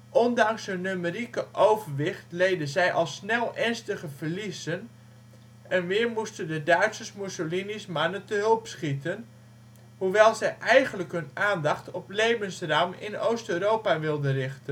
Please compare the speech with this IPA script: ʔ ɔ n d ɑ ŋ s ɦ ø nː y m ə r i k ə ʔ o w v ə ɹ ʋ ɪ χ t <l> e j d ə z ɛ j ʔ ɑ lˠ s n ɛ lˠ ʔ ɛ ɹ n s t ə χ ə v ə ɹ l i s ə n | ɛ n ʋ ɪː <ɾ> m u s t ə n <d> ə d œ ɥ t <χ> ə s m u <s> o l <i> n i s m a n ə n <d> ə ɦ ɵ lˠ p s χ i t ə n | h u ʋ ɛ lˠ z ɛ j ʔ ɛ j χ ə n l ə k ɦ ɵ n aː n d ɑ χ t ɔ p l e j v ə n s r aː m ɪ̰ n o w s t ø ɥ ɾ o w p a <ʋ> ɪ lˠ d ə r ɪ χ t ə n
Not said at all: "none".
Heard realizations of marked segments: l, ɹ, d, s, s, i, t, ʋ

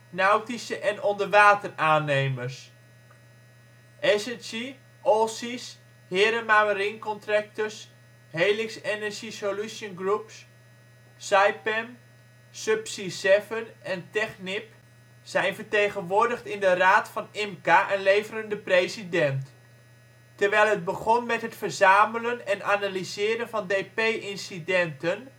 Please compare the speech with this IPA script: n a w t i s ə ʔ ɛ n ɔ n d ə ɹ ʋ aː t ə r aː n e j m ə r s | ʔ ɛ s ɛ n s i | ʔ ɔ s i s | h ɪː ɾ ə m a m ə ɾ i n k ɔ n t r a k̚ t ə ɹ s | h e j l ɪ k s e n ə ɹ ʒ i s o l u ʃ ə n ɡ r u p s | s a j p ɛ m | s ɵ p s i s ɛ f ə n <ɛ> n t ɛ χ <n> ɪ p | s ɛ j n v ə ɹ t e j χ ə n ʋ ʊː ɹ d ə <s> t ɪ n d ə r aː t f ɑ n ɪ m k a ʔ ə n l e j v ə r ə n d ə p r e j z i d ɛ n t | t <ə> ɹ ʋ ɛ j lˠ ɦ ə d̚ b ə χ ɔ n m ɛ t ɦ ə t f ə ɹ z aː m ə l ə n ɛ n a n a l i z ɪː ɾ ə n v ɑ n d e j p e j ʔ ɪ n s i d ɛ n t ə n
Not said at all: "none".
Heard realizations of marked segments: ɛ, n, χ, ə

